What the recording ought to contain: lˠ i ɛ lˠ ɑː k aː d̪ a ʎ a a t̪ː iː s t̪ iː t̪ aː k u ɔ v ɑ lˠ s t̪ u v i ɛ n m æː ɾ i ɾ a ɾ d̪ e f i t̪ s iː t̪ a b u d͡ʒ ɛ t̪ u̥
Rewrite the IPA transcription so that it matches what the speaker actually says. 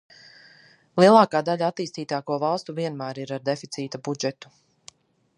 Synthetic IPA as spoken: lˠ i ɛ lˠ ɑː k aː d̪ a ʎ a a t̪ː iː s t̪ iː t̪ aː k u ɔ v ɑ lˠ s t̪ u v i ɛ n m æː ɾ i ɾ a ɾ d̪ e f i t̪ s iː t̪ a b u d͡ʒ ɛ t̪ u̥